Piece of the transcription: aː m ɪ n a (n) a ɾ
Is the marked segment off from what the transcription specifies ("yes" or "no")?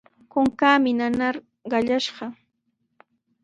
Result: no